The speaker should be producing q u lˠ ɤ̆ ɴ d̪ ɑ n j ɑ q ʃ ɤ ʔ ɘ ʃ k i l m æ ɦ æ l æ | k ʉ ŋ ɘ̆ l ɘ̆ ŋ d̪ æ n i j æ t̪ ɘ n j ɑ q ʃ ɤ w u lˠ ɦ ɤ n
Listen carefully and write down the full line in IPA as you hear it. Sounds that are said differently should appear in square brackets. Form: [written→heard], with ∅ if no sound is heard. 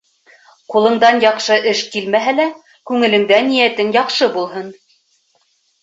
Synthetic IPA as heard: q u lˠ ɤ̆ ɴ d̪ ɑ n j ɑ q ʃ ɤ ʔ ɘ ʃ k i l m æ ɦ æ l æ | k ʉ ŋ ɘ̆ l ɘ̆ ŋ d̪ æ n i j æ t̪ ɘ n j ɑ q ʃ ɤ [w→b] u lˠ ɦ ɤ n

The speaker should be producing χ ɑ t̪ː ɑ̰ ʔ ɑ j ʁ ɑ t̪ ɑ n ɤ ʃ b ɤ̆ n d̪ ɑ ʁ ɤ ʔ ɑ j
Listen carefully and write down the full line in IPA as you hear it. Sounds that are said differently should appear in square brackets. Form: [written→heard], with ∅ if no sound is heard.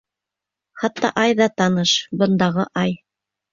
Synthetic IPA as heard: χ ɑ t̪ː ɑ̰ ʔ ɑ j [ʁ→ð] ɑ t̪ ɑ n ɤ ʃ b ɤ̆ n d̪ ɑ ʁ ɤ ʔ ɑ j

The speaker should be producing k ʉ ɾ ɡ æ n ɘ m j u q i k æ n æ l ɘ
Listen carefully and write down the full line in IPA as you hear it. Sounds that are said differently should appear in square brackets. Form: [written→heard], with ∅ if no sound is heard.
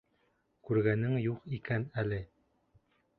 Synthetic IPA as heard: k ʉ ɾ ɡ æ n ɘ [m→ŋ] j u q i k æ n æ l ɘ

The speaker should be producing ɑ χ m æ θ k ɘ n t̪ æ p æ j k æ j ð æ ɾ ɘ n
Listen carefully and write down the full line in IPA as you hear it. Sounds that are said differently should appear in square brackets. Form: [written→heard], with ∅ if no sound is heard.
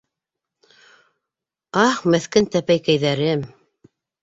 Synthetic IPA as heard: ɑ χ m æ θ k ɘ n t̪ æ p æ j k æ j ð æ ɾ ɘ [n→m]

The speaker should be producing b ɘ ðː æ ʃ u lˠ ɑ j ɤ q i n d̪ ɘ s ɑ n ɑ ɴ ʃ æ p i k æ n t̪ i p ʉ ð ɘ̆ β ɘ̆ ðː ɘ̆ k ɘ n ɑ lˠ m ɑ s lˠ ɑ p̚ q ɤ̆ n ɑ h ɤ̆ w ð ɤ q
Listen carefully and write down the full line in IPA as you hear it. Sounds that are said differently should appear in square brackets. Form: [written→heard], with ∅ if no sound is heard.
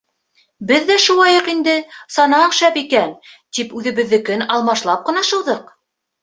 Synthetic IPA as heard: b ɘ ðː æ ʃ u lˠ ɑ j ɤ q i n d̪ ɘ s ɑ n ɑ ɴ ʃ æ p i k æ n t̪ i p ʉ ð ɘ̆ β ɘ̆ ðː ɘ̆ k ɘ n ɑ lˠ m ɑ [s→ʃ] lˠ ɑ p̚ q ɤ̆ n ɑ [h→ʃ] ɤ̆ w ð ɤ q

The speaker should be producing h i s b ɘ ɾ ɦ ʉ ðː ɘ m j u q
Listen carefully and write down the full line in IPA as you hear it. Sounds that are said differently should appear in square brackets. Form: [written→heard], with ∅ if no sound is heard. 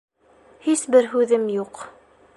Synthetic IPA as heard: h i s b ɘ ɾ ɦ ʉ [ðː→ð] ɘ m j u q

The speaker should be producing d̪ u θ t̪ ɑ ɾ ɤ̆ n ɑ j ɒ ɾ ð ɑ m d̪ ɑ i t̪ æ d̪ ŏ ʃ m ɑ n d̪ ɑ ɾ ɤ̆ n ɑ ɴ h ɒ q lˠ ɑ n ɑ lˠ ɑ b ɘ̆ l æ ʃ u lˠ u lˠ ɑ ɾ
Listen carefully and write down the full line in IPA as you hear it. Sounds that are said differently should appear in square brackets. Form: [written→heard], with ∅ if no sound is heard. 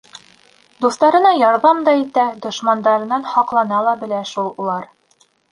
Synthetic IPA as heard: d̪ u [θ→s] t̪ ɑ ɾ ɤ̆ n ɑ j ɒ ɾ ð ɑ m d̪ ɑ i t̪ æ d̪ ŏ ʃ m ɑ n d̪ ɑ ɾ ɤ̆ n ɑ [ɴ→n] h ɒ q lˠ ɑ n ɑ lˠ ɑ b ɘ̆ l æ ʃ u lˠ u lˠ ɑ ɾ

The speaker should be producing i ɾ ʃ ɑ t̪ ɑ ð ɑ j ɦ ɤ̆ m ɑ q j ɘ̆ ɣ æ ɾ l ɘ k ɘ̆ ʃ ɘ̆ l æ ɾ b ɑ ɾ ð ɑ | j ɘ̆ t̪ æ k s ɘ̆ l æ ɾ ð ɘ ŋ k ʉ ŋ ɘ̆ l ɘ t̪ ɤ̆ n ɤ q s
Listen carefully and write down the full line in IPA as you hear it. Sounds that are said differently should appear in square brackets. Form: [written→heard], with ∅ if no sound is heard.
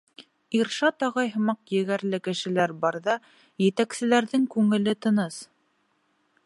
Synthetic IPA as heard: i ɾ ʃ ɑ t̪ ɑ [ð→ʁ] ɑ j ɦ ɤ̆ m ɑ q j ɘ̆ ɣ æ ɾ l ɘ k ɘ̆ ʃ ɘ̆ l æ ɾ b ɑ ɾ ð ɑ | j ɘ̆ t̪ æ k s ɘ̆ l æ ɾ ð ɘ ŋ k ʉ ŋ ɘ̆ l ɘ t̪ ɤ̆ n ɤ [q→∅] s

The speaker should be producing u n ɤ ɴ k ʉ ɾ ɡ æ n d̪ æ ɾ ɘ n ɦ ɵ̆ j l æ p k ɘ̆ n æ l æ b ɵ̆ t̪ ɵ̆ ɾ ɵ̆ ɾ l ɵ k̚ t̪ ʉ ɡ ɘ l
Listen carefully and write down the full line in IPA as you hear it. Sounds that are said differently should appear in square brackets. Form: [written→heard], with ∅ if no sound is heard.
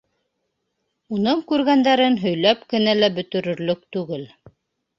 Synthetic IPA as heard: u n ɤ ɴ k ʉ ɾ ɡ æ n d̪ æ ɾ ɘ n ɦ ɵ̆ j l æ p k ɘ̆ n æ l æ b ɵ̆ t̪ ɵ̆ ɾ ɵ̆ ɾ l ɵ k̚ t̪ ʉ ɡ ɘ l

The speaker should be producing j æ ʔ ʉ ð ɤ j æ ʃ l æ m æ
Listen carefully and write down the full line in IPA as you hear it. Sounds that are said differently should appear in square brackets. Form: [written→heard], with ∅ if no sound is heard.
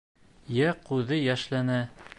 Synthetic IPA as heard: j æ [ʔ→q] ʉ ð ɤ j æ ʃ l æ [m→n] æ

